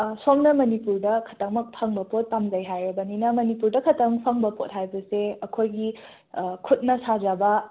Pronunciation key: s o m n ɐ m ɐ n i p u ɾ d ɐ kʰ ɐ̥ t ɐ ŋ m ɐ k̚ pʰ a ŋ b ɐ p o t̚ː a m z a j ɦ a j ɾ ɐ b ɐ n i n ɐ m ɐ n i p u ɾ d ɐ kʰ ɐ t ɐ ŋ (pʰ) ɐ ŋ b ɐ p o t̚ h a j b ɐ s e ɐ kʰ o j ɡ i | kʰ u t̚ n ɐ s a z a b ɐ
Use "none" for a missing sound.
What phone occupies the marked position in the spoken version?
pʰ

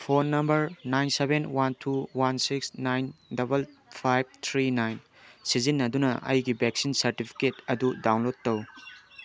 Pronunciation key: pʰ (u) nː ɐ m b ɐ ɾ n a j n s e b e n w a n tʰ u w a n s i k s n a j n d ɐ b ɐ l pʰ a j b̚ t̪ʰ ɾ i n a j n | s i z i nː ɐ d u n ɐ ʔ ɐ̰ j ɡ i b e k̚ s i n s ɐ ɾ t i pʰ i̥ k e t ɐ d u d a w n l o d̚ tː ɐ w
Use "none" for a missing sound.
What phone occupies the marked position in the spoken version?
o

